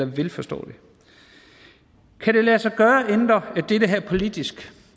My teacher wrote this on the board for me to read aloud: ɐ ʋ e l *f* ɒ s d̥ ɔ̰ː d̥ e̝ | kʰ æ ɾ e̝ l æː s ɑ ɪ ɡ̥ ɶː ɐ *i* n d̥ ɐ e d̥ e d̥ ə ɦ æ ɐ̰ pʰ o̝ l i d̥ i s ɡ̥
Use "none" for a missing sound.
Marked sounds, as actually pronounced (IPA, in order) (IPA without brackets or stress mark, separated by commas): f, e